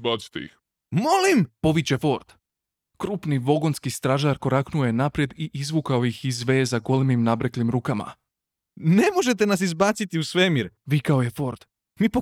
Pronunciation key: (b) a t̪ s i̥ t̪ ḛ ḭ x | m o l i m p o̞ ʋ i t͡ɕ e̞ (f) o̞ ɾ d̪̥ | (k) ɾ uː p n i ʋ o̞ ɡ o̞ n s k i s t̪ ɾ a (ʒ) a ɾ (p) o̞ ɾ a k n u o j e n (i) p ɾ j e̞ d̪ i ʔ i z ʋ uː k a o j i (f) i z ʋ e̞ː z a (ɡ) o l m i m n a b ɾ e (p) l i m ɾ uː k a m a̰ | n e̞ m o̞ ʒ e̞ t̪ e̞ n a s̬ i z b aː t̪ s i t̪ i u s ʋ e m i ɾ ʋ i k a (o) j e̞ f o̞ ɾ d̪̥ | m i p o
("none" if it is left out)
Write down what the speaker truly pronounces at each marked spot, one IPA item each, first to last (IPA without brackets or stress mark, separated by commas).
b, f, k, ʒ, k, a, x, ɡ, k, o